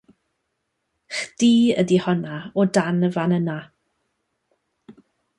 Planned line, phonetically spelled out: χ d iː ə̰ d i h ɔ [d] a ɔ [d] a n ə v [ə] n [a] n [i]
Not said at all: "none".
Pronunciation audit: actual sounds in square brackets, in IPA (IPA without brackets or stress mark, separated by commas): n, d, a, ə, a